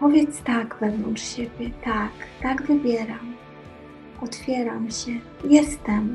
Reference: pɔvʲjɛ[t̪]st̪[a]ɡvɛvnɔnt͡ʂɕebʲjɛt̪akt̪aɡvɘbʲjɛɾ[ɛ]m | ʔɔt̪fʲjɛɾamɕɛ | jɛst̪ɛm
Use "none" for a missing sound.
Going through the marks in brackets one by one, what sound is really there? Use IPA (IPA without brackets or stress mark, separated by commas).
t̪, a, a